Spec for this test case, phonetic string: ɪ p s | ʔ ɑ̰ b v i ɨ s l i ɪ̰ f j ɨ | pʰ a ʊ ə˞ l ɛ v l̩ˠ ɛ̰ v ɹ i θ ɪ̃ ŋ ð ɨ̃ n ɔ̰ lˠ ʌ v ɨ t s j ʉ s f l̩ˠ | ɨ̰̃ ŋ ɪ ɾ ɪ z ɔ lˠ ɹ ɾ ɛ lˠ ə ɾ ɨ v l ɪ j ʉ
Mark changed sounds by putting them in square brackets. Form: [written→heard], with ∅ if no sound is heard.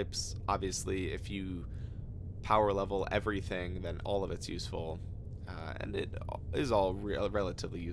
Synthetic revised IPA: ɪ p s | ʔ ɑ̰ b v i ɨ s l i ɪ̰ f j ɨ | pʰ a ʊ ə˞ l ɛ v l̩ˠ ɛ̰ v ɹ i θ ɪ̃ ŋ ð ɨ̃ n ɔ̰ lˠ ʌ v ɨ t s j ʉ s f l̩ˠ | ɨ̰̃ [ŋ→n] ɪ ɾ ɪ z ɔ lˠ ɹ [ɾ→ɹ] ɛ lˠ ə ɾ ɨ v l [ɪ→i] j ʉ